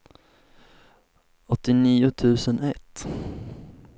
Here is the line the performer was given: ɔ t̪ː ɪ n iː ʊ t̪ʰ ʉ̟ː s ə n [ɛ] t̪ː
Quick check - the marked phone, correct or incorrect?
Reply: correct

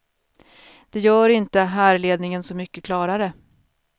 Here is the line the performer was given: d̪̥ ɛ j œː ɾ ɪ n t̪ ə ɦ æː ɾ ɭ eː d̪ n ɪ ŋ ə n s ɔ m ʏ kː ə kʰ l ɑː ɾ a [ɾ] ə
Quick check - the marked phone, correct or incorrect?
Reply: correct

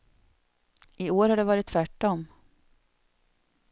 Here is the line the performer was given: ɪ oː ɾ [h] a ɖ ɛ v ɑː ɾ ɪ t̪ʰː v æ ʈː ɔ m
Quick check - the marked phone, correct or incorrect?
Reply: correct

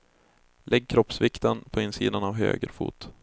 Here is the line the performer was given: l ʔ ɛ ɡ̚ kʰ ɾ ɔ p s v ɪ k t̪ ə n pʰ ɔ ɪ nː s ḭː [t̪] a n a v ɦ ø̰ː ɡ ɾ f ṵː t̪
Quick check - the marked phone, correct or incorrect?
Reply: incorrect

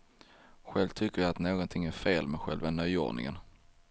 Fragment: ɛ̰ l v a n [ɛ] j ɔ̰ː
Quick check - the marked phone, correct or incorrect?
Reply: incorrect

